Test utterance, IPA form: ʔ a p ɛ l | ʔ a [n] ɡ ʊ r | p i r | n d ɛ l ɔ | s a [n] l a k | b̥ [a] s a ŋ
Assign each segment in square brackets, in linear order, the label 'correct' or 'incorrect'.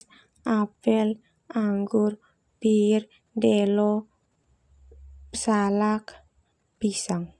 incorrect: ŋ, incorrect: none, incorrect: i

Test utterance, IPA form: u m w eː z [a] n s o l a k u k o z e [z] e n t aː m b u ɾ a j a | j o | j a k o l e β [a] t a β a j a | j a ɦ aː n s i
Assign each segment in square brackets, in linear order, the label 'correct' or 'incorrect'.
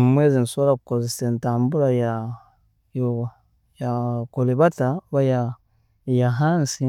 incorrect: i, incorrect: s, correct

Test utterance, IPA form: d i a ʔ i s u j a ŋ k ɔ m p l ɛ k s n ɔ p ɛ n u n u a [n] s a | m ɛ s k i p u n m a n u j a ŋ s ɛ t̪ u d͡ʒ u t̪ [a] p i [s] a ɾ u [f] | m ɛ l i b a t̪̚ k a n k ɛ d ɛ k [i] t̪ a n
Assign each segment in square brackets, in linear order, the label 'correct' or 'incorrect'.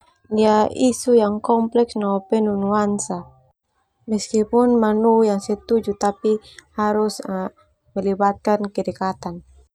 correct, correct, incorrect: h, incorrect: s, incorrect: a

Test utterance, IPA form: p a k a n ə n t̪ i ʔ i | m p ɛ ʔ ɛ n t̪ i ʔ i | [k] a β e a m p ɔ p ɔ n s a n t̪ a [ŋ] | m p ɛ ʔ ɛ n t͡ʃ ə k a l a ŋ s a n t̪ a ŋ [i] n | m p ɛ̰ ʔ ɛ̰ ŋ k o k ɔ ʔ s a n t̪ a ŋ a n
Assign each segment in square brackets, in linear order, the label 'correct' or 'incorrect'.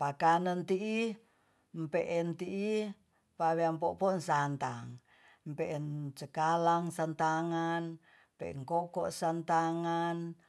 incorrect: p, correct, incorrect: a

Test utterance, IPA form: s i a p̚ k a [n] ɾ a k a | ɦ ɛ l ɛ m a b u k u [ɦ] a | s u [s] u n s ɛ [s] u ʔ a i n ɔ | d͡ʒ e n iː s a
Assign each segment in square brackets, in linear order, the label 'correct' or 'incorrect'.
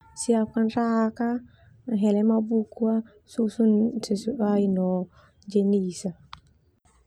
correct, incorrect: none, correct, correct

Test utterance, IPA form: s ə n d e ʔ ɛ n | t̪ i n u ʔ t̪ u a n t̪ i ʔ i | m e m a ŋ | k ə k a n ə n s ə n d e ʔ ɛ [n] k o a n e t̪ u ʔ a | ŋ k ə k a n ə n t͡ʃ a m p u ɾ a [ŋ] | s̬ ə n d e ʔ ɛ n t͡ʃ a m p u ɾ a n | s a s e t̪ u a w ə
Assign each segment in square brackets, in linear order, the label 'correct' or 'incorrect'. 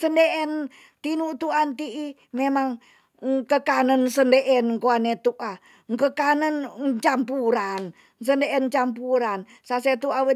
correct, incorrect: n

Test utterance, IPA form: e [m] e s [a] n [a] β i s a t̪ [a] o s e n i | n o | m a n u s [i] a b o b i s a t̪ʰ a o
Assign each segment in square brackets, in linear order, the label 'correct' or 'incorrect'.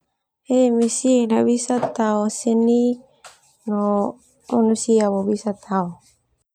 correct, incorrect: i, correct, correct, correct

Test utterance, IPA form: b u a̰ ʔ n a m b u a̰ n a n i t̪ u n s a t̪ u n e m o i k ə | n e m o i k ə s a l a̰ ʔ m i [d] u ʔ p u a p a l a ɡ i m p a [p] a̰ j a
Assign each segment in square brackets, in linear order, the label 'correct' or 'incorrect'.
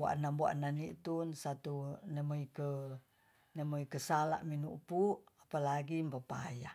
incorrect: n, correct

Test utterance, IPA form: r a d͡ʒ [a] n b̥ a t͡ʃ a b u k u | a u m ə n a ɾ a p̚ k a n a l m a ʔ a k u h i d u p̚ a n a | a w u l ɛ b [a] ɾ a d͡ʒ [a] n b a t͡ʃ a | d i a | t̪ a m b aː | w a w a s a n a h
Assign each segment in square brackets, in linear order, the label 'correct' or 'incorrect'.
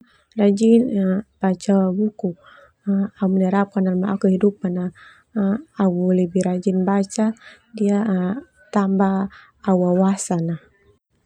incorrect: i, incorrect: i, incorrect: i

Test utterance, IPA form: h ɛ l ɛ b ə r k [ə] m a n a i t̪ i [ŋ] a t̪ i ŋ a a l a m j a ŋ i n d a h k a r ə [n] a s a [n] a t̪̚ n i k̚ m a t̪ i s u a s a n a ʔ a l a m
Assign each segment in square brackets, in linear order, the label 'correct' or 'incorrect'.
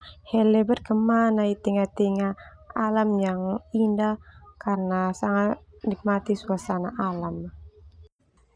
correct, correct, correct, incorrect: ŋ

